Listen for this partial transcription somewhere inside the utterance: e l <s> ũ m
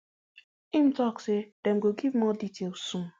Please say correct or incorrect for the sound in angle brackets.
correct